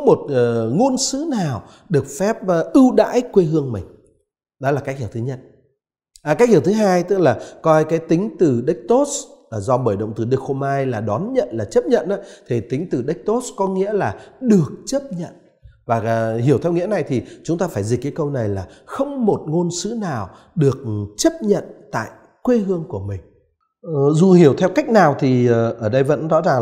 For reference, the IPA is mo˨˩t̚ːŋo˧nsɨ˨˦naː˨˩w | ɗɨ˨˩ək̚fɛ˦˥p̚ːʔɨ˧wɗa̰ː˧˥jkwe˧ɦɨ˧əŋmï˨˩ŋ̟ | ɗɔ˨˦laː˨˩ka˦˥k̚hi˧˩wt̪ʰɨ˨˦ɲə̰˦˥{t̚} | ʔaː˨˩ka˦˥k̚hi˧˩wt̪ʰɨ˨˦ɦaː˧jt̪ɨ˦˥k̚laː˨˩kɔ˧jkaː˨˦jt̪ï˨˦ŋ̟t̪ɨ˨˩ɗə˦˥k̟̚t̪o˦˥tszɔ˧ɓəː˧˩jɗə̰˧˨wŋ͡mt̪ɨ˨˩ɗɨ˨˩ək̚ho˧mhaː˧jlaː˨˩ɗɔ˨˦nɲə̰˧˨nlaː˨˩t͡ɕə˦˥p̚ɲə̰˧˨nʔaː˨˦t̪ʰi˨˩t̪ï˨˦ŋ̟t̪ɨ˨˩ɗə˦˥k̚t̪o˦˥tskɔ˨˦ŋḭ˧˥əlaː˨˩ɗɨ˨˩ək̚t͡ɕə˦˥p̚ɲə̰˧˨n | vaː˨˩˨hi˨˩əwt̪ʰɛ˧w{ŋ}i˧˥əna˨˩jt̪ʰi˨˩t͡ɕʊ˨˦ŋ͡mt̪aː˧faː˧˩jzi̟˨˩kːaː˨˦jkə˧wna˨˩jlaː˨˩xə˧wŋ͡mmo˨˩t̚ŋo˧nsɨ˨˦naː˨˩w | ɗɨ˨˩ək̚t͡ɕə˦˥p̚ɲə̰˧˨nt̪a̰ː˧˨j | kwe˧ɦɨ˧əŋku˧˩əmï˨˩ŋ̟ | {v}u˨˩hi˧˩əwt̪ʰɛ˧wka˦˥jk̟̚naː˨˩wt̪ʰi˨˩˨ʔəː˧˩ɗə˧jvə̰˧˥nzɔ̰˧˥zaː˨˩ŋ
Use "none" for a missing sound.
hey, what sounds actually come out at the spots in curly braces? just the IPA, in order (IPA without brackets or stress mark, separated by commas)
t̚, ŋ, z